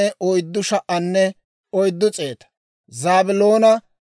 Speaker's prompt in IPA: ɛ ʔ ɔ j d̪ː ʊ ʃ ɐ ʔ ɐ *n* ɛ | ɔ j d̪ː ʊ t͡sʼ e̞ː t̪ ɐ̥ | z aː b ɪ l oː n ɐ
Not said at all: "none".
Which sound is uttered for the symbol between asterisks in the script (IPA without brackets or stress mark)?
nː